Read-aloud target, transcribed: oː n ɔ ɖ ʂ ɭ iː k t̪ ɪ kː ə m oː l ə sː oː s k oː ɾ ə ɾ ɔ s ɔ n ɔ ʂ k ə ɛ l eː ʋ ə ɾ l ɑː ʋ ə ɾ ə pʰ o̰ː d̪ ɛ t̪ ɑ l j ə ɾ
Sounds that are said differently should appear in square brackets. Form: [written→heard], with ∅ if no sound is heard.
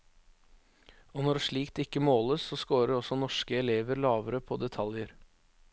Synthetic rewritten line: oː n ɔ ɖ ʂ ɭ iː k t̪ ɪ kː ə m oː l ə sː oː s k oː ɾ ə ɾ ɔ s ɔ n ɔ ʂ k ə ɛ l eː ʋ ə ɾ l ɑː ʋ ə ɾ ə pʰ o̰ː d̪ ɛ [t̪→t̪ʰ] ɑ l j ə ɾ